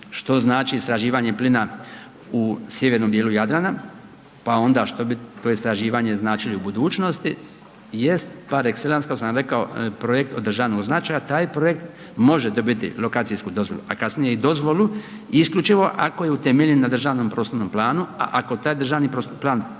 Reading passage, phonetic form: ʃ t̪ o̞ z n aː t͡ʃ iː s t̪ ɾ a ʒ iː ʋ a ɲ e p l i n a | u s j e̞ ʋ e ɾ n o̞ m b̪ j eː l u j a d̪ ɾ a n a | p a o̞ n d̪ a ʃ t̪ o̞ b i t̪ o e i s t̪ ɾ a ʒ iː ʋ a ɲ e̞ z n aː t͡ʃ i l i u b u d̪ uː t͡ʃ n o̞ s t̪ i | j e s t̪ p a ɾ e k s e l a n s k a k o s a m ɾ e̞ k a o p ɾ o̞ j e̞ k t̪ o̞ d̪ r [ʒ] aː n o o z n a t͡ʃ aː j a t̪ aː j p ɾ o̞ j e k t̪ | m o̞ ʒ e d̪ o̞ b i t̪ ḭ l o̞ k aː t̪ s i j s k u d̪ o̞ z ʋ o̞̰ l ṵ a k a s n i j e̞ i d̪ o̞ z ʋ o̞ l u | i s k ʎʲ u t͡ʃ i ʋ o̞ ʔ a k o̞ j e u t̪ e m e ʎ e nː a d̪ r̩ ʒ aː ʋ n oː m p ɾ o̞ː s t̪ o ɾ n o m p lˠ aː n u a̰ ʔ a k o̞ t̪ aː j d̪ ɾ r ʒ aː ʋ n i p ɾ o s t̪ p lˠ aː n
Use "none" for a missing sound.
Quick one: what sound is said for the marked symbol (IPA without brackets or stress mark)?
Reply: ʒ